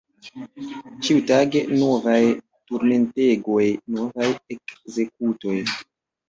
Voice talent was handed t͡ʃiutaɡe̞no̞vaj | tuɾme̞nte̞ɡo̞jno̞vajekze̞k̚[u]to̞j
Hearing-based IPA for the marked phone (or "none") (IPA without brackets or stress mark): u